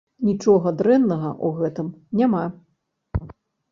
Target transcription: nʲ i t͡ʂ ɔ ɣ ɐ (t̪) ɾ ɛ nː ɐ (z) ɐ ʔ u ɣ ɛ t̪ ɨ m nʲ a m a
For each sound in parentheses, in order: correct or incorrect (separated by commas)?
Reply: incorrect, incorrect